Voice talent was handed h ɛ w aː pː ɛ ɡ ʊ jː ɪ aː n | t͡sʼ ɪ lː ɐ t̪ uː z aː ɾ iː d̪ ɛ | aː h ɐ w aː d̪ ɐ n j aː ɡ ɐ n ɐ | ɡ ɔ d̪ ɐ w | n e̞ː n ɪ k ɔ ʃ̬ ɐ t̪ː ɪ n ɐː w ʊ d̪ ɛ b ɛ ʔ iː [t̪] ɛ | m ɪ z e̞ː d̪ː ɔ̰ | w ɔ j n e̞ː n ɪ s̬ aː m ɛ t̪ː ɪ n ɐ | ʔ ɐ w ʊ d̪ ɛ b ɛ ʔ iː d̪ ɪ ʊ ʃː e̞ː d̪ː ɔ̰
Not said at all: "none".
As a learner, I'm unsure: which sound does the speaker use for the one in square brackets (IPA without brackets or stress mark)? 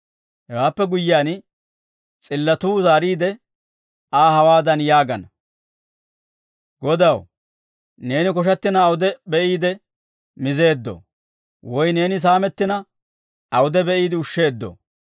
d̪